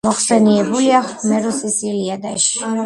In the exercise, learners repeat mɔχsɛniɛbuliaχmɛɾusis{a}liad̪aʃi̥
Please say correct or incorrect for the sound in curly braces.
incorrect: i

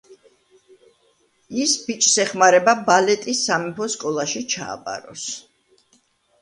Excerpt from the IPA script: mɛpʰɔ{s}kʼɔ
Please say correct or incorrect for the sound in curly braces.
correct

